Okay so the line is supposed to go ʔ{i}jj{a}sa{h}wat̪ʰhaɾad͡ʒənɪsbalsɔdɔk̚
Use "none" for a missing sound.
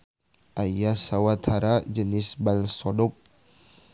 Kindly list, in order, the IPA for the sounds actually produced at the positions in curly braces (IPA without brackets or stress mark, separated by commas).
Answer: a, a, none